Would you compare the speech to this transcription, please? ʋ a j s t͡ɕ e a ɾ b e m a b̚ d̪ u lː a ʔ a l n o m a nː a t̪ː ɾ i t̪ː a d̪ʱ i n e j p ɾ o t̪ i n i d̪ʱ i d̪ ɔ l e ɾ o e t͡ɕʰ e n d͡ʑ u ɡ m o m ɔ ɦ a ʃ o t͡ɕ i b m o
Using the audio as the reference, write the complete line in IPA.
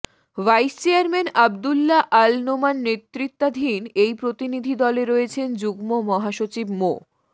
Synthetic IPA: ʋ a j s t͡ɕ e a ɾ m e n a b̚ d̪ u lː a ʔ a l n o m a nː e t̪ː ɾ i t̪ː a d̪ʱ i n e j p ɾ o t̪ i n i d̪ʱ i d̪ ɔ l e ɾ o e t͡ɕʰ e n d͡ʑ u ɡ m o m ɔ ɦ a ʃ o t͡ɕ i b m o